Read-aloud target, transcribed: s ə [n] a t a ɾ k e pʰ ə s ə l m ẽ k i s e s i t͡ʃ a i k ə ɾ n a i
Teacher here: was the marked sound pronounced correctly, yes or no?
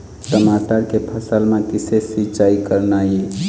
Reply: no